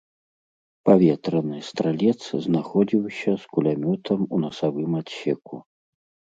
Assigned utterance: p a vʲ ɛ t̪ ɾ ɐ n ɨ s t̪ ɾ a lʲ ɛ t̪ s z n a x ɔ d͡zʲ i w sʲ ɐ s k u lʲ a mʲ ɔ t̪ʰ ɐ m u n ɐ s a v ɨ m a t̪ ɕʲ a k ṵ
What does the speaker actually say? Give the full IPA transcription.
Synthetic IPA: p a vʲ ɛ t̪ ɾ ɐ n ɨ s t̪ ɾ a lʲ ɛ t̪ s z n a x ɔ d͡zʲ i w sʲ ɐ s k u lʲ a mʲ ɔ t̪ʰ ɐ m u n ɐ s a v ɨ m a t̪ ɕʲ ɛ k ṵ